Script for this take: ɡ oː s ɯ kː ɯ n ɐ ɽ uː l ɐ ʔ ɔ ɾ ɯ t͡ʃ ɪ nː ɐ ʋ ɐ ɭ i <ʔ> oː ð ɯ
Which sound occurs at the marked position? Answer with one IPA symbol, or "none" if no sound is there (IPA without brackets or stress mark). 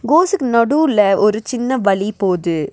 p